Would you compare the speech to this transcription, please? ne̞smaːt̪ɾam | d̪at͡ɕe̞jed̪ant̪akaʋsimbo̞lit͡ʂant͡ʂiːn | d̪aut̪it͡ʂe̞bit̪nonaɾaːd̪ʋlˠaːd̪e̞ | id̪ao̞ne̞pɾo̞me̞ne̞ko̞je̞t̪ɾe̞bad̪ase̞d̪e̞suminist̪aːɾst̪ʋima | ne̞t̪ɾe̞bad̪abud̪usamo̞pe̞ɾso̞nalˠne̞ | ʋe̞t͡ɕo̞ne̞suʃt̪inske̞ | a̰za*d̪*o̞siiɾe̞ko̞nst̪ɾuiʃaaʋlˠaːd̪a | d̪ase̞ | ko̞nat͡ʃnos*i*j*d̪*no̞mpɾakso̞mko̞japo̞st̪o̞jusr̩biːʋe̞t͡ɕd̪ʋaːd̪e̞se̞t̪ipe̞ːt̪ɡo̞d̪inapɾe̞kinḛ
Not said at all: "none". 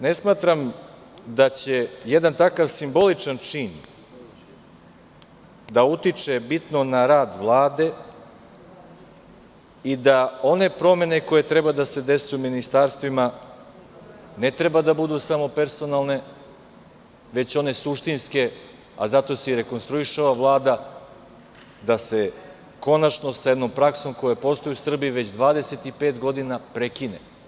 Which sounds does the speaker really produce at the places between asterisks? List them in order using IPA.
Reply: t̪, a, d̪

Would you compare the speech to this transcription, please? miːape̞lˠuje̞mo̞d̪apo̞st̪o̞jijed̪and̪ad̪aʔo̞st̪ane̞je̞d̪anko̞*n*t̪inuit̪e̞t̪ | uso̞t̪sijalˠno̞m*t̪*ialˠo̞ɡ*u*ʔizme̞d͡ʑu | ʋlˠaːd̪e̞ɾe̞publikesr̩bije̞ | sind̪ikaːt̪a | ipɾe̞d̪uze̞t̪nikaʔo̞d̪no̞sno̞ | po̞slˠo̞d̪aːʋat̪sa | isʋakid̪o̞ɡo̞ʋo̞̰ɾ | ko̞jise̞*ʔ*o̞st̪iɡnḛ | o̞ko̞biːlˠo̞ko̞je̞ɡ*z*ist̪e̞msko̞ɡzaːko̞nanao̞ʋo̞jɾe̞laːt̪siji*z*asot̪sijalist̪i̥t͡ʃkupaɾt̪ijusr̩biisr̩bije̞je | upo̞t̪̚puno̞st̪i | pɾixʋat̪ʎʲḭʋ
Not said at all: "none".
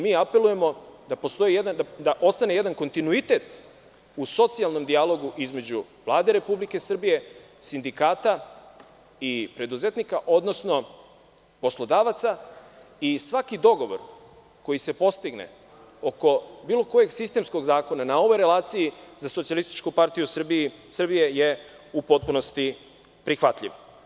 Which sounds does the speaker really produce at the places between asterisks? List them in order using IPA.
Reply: n, d̪, u, p, s, z

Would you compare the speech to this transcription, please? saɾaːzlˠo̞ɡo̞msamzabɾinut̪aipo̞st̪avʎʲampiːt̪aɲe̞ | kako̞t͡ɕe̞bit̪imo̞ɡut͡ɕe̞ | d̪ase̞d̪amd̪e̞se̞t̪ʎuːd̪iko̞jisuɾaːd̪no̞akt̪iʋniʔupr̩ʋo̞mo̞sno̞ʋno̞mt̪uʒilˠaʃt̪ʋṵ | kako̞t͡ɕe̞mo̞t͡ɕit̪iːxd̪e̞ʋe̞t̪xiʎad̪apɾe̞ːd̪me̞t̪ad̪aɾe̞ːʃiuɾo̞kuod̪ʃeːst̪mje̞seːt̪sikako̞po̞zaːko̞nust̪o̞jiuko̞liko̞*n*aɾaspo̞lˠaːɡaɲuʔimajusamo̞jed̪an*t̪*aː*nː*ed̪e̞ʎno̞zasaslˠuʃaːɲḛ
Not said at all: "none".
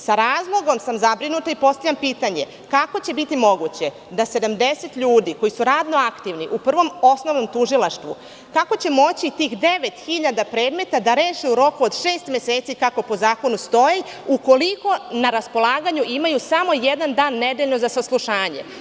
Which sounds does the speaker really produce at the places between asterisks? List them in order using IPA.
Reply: n, d̪, nː

